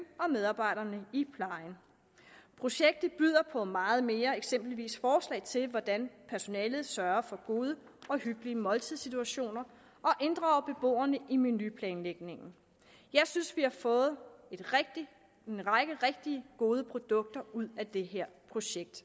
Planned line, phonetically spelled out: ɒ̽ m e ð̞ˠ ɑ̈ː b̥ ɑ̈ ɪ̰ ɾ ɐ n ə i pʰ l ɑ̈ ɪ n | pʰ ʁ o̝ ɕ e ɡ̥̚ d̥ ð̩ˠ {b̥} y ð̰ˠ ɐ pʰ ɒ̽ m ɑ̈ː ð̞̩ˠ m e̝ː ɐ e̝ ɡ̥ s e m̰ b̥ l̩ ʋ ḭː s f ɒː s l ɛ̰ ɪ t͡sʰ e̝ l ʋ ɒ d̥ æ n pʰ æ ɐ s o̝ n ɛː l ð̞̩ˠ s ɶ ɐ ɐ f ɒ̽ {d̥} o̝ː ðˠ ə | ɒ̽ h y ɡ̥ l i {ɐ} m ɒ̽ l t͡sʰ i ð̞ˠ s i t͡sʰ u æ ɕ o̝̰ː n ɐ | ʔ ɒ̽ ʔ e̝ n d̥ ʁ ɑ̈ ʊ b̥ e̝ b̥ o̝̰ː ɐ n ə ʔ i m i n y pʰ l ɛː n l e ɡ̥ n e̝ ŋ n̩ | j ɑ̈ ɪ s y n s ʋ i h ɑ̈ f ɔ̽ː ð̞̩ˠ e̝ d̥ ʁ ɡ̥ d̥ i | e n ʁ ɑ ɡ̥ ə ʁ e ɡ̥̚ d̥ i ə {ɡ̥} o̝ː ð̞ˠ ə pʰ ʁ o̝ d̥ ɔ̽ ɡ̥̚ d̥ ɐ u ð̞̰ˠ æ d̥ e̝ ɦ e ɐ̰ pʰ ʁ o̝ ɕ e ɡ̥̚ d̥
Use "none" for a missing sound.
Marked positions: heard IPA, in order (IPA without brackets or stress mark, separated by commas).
b̥, ɡ̥, ə, ɡ̥